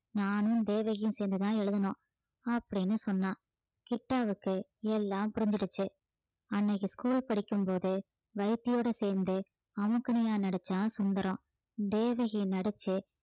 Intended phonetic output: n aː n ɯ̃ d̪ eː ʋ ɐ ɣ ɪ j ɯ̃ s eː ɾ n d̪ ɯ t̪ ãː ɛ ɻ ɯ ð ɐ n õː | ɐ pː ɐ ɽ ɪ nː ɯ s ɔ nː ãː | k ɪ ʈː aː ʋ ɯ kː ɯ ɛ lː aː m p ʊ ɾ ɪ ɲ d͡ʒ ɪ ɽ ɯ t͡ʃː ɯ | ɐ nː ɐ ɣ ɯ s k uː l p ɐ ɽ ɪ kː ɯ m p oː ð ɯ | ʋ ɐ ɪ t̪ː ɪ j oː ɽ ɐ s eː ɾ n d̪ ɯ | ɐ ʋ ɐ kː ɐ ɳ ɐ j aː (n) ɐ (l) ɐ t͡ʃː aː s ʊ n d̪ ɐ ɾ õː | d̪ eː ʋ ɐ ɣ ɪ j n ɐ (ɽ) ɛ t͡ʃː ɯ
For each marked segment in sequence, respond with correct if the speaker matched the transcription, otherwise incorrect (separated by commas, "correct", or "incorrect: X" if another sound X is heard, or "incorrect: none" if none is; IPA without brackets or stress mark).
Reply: correct, incorrect: ɽ, correct